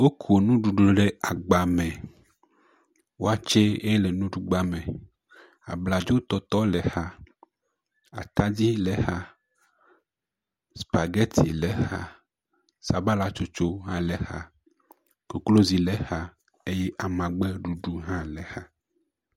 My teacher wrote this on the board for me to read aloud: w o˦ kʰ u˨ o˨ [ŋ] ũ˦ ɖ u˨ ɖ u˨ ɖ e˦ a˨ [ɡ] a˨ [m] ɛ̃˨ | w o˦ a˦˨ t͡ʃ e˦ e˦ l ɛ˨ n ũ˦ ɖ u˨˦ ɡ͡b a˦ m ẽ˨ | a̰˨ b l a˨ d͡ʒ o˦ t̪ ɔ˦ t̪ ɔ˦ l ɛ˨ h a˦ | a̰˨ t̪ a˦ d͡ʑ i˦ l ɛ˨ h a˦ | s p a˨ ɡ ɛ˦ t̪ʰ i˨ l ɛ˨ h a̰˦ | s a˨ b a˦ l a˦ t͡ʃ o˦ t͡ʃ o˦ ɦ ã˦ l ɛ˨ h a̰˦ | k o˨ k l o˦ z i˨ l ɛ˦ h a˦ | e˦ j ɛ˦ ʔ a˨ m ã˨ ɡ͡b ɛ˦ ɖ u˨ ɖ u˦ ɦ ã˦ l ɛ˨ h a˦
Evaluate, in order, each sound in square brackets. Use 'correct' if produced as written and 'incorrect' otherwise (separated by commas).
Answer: incorrect, incorrect, correct